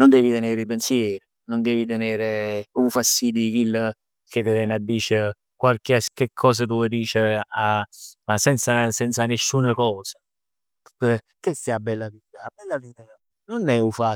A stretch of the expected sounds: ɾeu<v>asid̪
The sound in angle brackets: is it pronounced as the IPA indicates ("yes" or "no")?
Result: no